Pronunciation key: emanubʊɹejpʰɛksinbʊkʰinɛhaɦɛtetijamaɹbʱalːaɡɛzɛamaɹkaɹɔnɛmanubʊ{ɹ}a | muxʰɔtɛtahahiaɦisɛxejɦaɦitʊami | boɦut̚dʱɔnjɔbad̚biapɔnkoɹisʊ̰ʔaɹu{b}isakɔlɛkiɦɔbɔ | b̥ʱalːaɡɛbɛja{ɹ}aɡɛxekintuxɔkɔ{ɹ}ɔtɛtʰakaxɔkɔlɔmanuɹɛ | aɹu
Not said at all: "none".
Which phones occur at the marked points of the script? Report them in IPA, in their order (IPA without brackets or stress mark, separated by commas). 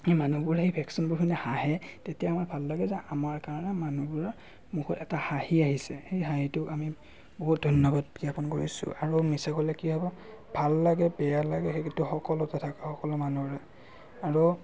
ɹ, m, l, l